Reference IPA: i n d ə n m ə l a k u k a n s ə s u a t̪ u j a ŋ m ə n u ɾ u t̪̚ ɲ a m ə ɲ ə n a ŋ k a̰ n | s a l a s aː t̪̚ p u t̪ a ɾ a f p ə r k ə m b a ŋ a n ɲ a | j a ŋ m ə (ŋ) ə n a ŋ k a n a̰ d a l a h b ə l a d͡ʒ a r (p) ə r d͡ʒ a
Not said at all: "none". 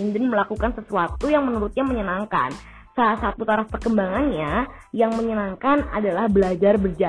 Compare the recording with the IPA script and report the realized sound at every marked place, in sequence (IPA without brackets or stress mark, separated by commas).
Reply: ɲ, b